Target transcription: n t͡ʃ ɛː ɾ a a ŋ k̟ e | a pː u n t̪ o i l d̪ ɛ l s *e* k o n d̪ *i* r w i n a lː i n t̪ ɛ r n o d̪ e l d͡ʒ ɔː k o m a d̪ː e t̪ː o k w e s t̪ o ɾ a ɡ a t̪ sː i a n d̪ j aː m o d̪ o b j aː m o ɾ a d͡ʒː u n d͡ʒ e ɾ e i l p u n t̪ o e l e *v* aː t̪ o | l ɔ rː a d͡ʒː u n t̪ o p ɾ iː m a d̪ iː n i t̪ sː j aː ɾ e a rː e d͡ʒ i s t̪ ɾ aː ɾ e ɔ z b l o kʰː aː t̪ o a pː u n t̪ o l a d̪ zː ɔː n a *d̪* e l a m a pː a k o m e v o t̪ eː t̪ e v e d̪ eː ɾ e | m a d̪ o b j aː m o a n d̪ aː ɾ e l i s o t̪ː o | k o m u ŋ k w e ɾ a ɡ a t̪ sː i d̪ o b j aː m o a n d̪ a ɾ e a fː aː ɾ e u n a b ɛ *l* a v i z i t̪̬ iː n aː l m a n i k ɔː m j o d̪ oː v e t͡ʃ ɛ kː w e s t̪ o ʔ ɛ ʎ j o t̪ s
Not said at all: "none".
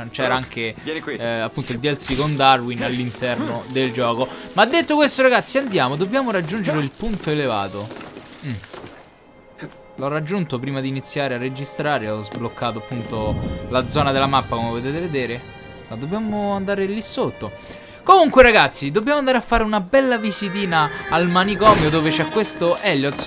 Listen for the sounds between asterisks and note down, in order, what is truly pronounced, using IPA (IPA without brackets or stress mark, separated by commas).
i, a, v, d̪, lː